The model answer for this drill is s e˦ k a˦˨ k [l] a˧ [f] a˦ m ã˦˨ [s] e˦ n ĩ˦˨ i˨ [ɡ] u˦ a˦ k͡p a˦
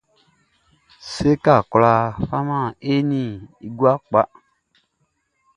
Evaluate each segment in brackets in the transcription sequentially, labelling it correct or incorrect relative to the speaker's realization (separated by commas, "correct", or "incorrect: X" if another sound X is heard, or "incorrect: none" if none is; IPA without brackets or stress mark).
correct, correct, incorrect: none, correct